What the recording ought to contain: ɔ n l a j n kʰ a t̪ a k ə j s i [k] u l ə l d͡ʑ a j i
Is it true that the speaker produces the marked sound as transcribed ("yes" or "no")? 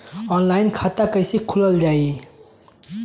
no